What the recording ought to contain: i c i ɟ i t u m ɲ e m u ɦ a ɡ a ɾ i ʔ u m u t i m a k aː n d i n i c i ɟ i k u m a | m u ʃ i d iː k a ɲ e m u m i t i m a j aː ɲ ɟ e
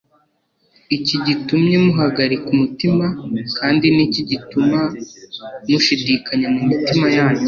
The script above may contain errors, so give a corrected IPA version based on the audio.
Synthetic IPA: i c i ɟ i t u m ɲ e m u ɦ a ɡ a ɾ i k u m u t i m a k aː n d i n i c i ɟ i t u m a | m u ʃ i d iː k a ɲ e m u m i t i m a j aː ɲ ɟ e